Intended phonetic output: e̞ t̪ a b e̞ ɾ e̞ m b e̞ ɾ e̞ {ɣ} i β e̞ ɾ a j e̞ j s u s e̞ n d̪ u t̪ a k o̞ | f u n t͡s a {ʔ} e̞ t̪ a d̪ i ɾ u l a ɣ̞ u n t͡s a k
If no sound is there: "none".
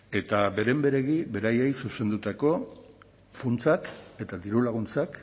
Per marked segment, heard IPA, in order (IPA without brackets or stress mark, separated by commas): ɣ, k